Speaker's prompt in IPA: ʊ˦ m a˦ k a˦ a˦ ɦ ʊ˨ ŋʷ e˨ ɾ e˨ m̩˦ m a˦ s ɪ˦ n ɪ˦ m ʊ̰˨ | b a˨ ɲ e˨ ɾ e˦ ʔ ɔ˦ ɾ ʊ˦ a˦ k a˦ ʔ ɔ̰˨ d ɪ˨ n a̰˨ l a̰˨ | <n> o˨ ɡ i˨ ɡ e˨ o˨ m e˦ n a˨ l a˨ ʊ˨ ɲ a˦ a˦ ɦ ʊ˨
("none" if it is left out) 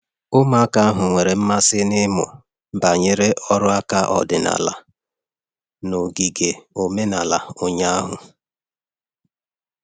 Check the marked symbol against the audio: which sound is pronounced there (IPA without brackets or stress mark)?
n